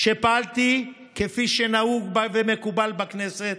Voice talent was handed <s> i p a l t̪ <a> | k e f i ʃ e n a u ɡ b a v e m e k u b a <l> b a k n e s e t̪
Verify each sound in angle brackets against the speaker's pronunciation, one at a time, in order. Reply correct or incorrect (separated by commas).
incorrect, incorrect, correct